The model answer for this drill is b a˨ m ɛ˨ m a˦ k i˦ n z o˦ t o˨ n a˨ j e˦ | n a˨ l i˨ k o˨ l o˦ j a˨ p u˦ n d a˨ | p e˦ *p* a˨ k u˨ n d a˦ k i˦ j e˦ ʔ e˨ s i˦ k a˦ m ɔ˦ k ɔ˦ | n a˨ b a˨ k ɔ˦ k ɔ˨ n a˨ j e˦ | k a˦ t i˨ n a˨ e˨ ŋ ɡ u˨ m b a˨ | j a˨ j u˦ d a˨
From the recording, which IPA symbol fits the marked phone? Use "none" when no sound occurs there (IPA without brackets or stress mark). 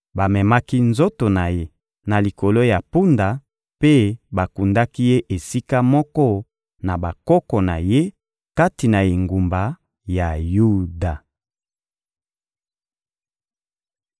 b